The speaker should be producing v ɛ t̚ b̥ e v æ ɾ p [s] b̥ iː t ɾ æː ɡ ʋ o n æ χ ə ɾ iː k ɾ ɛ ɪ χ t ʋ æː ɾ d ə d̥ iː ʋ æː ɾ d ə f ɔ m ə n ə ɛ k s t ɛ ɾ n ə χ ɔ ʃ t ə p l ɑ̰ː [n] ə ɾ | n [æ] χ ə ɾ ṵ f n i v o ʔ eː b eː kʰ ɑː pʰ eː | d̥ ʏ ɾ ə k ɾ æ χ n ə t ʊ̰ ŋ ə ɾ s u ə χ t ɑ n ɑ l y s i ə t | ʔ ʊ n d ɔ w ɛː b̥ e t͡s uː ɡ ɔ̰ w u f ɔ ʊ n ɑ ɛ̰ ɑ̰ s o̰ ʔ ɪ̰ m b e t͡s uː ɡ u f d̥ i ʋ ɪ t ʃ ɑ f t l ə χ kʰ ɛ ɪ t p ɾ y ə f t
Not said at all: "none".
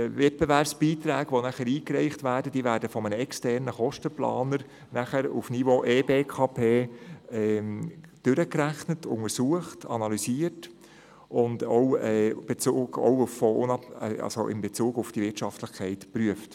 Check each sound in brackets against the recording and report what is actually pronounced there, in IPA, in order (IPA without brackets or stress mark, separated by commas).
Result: s, n, æ